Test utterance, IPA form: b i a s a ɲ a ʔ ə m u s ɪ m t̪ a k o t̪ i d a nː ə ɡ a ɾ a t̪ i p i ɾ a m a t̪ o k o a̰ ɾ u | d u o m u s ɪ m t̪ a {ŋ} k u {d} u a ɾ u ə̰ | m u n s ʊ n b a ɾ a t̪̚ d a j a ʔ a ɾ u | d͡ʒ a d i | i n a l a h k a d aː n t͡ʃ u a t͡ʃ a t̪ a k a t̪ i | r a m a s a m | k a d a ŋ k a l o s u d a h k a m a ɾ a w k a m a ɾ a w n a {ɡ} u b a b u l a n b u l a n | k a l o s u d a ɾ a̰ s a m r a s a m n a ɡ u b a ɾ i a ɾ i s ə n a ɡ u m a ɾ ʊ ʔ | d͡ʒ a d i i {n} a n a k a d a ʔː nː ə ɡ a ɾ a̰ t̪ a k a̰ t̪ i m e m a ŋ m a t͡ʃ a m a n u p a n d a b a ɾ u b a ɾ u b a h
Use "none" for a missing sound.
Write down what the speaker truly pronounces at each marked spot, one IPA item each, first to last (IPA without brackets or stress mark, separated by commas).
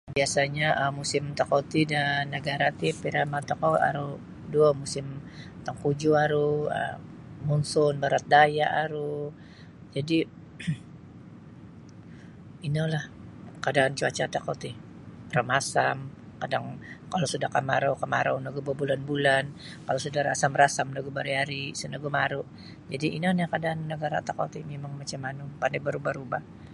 ŋ, d͡ʒ, ɡ, n